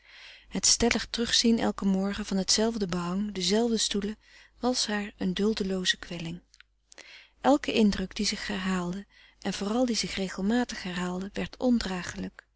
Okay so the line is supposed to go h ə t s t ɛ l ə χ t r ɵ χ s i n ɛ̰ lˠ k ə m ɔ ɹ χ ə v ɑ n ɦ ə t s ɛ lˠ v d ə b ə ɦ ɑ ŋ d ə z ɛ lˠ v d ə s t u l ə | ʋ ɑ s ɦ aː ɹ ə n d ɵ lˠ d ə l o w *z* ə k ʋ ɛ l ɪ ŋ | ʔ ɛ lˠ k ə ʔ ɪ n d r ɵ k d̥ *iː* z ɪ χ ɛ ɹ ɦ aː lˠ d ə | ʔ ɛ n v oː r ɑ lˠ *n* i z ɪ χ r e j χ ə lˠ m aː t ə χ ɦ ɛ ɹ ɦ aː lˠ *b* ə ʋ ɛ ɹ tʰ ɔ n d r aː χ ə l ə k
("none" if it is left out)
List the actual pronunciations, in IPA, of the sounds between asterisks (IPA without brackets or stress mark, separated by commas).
z, i, d, d